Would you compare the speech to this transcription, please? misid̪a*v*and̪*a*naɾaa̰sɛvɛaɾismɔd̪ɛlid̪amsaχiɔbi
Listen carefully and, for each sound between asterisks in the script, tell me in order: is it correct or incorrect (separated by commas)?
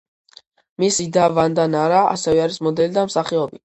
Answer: correct, correct